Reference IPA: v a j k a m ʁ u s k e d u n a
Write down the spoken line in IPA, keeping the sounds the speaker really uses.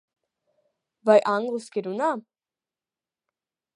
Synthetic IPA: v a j ʔ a ŋ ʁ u s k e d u n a